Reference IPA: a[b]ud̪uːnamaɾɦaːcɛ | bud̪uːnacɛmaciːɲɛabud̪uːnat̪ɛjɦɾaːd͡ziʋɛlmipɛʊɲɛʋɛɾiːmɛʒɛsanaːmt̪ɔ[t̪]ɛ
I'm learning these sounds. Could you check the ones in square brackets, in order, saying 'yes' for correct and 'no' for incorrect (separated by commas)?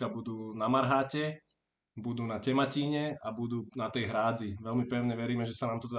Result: yes, yes